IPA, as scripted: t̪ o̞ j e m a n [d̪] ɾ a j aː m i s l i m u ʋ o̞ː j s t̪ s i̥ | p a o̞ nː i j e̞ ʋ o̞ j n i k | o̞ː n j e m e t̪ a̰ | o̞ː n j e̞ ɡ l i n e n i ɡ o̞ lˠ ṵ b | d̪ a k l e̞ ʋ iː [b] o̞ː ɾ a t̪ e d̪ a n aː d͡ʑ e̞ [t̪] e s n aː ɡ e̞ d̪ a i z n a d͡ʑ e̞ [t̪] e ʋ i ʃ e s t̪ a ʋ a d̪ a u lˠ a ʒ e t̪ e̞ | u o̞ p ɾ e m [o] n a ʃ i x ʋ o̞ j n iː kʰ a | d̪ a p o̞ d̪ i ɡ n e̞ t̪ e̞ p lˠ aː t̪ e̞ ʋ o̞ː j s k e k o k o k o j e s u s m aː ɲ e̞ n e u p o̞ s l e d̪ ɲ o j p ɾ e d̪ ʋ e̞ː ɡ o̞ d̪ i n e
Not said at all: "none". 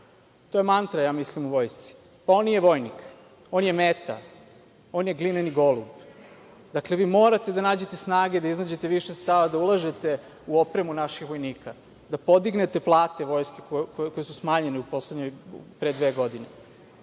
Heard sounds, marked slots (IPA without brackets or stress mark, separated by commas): t̪, m, t̪, t̪, u